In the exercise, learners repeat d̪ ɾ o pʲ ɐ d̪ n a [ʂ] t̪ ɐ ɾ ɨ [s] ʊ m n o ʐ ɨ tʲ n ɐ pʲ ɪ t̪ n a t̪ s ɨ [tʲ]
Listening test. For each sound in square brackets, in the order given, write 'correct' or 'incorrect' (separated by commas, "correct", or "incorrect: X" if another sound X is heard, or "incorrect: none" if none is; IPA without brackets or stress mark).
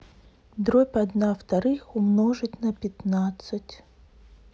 incorrect: f, incorrect: x, correct